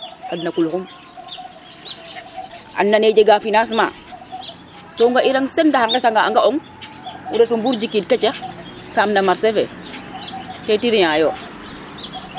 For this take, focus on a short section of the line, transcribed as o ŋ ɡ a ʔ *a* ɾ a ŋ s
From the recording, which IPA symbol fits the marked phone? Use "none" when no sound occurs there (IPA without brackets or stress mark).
i